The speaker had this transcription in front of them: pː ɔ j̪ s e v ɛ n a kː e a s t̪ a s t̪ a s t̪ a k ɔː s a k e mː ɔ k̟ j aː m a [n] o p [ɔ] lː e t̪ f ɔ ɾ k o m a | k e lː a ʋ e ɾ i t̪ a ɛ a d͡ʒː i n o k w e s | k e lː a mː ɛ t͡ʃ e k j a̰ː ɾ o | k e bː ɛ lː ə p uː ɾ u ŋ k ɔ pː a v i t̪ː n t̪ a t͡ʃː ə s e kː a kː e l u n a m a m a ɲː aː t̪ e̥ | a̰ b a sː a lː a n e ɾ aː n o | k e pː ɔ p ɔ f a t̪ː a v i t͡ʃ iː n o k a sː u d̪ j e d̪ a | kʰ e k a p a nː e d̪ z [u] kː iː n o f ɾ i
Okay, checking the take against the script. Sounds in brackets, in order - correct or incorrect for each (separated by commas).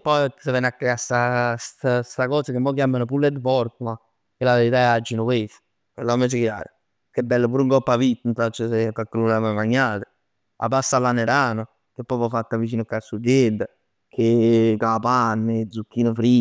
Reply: correct, incorrect, correct